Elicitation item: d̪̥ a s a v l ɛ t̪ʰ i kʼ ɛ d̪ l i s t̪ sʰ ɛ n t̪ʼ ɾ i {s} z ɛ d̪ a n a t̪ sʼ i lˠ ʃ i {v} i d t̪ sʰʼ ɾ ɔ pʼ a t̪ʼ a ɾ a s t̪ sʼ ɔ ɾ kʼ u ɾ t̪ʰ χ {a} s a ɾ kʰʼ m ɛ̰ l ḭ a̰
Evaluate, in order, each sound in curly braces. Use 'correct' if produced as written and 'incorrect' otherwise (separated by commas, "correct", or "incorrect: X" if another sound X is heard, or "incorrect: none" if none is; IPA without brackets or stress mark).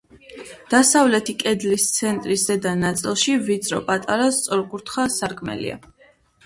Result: correct, correct, correct